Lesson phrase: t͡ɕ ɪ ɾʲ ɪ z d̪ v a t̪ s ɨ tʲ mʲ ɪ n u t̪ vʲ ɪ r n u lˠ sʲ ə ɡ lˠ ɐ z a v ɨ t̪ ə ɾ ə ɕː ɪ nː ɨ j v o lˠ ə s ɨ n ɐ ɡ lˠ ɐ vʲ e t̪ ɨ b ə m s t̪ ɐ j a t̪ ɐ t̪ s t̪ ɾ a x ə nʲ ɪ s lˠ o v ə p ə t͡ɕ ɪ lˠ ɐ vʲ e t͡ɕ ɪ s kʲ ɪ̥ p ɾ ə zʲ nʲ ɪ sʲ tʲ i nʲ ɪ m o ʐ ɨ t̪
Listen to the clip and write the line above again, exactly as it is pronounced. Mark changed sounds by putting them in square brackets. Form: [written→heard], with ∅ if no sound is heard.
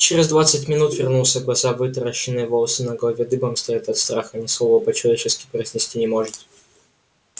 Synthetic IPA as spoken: t͡ɕ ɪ ɾʲ ɪ z d̪ v a t̪ s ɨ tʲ mʲ ɪ n u t̪ vʲ ɪ r n u lˠ sʲ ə ɡ lˠ ɐ z a v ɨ t̪ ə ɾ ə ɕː ɪ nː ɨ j v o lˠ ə s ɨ n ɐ ɡ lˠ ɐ vʲ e [t̪→d̪] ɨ b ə m s t̪ ɐ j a t̪ ɐ t̪ s t̪ ɾ a x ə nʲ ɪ s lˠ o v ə p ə t͡ɕ ɪ lˠ ɐ vʲ e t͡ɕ ɪ s kʲ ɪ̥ p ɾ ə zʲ nʲ ɪ sʲ tʲ i nʲ ɪ m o ʐ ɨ t̪